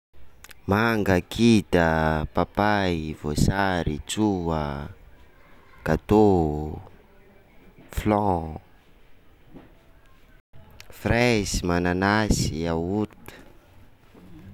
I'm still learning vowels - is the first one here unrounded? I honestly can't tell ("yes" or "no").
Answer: yes